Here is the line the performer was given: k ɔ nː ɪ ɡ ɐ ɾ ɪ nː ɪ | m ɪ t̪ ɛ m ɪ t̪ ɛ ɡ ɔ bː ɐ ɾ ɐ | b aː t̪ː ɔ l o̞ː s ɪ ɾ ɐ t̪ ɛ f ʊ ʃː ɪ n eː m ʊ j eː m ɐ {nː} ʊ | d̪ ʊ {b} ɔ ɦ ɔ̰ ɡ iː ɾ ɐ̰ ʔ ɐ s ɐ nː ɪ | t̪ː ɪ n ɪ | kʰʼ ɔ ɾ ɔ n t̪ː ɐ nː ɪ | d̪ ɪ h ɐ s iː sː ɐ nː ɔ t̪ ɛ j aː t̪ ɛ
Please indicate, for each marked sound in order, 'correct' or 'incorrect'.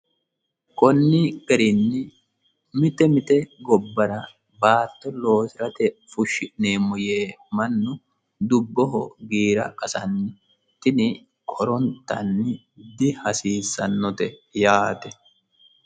correct, incorrect: bː

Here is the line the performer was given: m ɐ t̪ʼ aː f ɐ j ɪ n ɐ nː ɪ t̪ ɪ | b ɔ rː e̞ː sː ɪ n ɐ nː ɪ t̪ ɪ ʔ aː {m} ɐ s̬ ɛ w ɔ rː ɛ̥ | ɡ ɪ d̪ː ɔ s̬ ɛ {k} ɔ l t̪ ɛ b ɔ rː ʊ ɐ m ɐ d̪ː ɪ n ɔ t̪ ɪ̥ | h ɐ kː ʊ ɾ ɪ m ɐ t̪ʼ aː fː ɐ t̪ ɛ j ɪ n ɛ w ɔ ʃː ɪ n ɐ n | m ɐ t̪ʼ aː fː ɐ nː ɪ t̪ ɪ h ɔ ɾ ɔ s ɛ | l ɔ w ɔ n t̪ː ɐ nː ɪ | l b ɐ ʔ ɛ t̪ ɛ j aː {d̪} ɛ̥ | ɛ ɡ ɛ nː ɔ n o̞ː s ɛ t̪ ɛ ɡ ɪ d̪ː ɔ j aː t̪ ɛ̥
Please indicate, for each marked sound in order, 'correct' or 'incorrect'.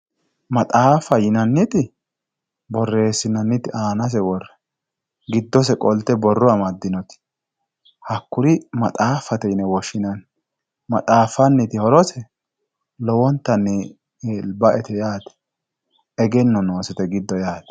incorrect: n, incorrect: kʼ, incorrect: t̪

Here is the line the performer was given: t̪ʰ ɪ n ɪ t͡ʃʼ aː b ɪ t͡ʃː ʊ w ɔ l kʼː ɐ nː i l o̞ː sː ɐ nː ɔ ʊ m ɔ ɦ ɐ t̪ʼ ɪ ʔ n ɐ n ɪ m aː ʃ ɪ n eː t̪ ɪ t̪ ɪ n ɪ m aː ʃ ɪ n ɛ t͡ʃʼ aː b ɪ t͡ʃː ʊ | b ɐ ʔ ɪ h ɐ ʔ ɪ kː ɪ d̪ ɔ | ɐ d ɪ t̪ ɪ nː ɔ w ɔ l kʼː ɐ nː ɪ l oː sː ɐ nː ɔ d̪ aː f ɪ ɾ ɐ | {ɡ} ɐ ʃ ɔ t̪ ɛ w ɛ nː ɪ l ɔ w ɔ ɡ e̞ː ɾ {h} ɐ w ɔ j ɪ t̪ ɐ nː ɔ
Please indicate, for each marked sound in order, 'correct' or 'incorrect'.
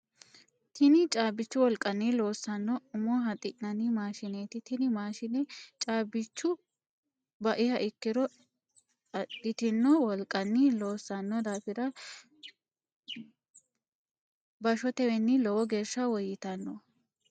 incorrect: b, incorrect: ʃ

